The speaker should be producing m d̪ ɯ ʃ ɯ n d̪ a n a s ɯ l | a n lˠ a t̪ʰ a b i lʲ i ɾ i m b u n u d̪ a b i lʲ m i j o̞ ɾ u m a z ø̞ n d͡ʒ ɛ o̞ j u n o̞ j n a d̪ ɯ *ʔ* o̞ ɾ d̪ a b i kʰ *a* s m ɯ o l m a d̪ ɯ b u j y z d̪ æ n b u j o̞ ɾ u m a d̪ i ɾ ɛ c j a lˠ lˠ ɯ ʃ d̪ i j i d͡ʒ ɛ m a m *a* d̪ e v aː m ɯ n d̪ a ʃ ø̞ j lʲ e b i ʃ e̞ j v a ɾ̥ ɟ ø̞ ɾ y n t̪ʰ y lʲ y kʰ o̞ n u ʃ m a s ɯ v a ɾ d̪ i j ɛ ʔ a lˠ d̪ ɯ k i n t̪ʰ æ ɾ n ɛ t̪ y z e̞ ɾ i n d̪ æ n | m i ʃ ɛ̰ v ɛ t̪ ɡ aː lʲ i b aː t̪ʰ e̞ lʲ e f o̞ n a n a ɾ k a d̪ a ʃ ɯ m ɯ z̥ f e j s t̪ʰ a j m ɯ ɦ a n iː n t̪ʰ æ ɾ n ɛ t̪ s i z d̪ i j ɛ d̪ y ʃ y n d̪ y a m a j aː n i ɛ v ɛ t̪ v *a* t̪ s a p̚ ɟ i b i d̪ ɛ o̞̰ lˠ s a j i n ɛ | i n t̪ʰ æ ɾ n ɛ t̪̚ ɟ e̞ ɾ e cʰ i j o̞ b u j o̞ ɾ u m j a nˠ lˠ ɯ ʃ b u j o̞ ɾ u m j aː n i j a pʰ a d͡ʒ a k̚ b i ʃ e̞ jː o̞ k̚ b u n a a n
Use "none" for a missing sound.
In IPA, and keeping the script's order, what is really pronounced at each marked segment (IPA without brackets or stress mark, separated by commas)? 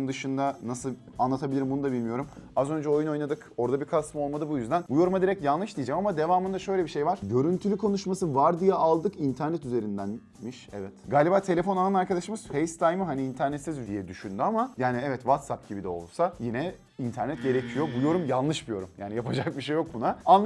k, a, a, a